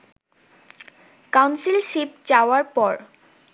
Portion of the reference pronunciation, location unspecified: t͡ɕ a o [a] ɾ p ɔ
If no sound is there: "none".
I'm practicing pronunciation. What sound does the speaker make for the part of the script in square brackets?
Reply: a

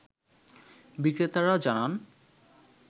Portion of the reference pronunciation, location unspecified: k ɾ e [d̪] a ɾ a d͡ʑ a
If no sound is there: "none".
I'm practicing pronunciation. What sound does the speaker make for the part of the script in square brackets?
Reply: t̪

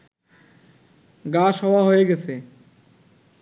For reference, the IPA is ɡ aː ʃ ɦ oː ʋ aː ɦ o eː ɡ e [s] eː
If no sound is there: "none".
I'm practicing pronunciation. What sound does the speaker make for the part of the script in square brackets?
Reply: s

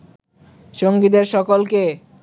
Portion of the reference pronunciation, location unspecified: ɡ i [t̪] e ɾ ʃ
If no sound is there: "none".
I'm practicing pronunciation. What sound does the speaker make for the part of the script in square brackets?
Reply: d̪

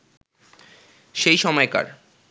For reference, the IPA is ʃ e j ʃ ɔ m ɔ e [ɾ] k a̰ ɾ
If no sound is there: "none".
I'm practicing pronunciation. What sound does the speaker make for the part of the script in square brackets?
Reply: none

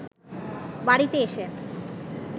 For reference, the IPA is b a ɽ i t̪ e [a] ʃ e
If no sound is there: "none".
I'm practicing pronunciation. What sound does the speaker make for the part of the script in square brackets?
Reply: e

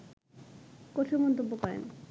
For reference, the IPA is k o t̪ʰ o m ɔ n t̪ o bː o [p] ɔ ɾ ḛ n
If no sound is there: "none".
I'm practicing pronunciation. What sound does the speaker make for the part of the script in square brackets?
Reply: k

